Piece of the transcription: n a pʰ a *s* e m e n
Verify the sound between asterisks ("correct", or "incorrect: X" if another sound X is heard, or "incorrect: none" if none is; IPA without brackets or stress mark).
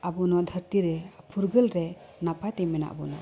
incorrect: t